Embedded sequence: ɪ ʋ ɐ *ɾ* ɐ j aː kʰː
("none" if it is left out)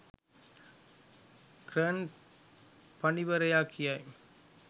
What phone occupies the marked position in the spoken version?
ɾ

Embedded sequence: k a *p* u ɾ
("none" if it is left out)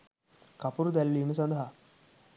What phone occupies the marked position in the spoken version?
p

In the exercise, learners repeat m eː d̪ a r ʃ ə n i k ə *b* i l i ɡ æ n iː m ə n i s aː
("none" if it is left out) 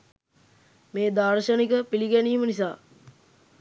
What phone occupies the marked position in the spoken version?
p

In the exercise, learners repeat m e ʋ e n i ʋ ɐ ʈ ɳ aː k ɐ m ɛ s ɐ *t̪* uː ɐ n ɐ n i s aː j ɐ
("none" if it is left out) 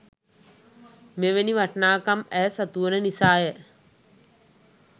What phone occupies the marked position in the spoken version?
t̪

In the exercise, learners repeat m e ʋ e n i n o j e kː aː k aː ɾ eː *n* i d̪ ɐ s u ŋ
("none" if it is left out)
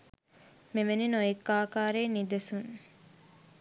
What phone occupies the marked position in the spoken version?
n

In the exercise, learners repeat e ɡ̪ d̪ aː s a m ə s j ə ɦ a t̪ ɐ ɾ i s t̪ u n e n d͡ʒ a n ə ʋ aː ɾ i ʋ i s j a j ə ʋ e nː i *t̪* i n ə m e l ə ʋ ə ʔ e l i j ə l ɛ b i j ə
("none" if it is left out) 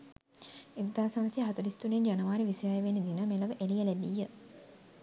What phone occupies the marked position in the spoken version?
d̪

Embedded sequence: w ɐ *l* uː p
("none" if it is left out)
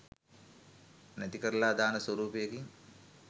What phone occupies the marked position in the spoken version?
ɾ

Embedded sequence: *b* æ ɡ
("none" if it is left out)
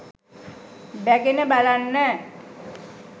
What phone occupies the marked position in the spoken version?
b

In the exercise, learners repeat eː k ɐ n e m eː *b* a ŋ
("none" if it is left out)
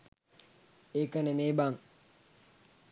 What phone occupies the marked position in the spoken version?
b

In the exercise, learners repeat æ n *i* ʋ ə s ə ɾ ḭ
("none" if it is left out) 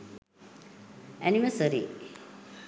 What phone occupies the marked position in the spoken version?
i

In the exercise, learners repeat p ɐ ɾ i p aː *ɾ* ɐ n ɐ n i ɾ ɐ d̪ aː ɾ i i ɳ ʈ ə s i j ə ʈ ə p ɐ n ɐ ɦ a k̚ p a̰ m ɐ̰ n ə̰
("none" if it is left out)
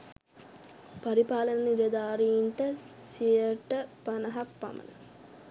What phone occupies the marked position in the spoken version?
l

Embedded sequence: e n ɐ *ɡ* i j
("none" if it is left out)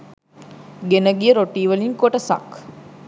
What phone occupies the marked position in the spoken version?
ɡ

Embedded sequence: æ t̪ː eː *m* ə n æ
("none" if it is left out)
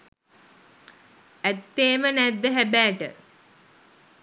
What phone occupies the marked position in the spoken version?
m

